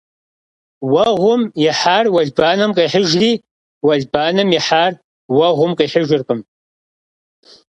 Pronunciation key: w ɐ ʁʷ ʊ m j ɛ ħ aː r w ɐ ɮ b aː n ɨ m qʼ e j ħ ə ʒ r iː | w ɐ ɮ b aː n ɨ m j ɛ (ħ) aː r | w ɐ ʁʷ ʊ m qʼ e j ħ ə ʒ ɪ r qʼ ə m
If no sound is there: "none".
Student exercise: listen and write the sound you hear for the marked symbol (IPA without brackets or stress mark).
ħ